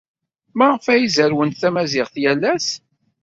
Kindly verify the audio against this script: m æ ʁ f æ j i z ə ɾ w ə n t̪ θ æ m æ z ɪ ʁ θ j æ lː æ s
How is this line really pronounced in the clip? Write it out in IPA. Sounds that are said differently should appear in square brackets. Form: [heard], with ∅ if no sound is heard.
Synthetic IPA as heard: m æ ʁ f æ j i z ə ɾ w ə n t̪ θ æ m æ z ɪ ʁ θ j æ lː æ s

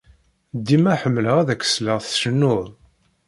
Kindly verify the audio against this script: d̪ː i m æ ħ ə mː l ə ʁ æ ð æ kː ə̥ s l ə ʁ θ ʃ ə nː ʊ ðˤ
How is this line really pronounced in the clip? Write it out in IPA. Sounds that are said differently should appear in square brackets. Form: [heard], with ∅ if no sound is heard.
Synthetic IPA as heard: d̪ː i m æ ħ ə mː l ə ʁ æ ð æ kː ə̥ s l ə ʁ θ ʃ ə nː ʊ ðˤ

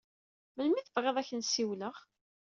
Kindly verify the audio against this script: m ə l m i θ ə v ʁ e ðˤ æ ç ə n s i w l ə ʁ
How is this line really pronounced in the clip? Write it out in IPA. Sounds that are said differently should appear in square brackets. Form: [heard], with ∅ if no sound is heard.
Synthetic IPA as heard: m ə l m i θ ə v ʁ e ðˤ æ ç ə n s i w l ə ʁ

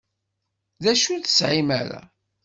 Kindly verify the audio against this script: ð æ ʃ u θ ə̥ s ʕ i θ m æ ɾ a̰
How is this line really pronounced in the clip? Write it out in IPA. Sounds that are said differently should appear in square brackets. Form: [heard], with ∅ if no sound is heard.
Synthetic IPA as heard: ð æ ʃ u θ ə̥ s ʕ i [∅] m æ ɾ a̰

